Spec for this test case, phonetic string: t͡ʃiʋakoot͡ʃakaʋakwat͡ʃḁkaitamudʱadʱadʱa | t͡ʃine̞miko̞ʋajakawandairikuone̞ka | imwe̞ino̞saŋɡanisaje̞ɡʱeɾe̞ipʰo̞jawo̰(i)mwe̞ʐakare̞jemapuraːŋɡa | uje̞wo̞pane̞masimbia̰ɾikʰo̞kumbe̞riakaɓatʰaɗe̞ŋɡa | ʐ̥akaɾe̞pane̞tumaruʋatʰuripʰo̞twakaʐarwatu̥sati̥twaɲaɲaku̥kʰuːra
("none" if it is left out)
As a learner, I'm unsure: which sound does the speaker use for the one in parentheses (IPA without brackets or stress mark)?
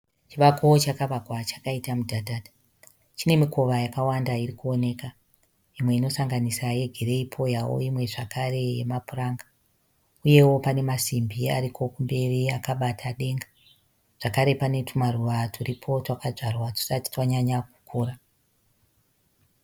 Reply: i